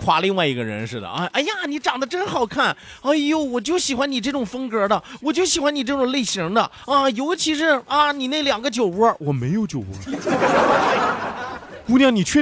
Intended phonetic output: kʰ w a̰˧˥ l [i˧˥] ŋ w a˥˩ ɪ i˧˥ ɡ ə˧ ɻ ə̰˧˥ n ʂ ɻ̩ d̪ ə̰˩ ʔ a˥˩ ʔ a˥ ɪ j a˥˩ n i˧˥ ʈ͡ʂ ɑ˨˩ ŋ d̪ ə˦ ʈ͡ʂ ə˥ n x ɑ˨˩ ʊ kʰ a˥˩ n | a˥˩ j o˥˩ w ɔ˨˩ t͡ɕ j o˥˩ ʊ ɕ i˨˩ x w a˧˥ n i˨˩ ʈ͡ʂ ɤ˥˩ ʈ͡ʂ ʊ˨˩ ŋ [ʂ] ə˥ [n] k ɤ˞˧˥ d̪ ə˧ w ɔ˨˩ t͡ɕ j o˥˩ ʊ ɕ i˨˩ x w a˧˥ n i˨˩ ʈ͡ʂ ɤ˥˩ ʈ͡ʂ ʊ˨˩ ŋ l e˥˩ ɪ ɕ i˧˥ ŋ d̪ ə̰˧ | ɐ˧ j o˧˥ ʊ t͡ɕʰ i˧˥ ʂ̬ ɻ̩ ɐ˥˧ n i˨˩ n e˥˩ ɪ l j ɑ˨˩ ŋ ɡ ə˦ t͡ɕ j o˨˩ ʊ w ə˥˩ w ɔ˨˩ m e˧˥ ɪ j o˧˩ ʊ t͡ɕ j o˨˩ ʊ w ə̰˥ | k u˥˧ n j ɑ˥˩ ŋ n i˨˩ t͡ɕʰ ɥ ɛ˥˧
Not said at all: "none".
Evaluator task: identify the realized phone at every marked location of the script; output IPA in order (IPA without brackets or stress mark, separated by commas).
i˥˧, f, ŋ